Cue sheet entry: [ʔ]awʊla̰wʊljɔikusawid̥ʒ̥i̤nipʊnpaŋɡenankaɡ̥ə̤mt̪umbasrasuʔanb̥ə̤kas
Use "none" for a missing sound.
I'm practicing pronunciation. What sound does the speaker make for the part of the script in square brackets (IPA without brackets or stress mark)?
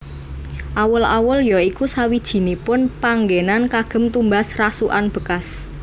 ʔ